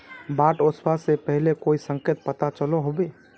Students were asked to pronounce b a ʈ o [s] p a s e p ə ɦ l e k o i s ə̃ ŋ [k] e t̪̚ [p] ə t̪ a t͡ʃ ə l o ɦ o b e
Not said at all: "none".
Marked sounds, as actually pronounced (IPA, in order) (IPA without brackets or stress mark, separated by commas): s, k, p